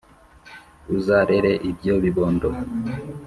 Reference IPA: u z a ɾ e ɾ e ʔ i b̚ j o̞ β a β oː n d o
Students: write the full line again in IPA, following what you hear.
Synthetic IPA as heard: u z a ɾ e ɾ e ʔ i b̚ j o̞ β i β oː n d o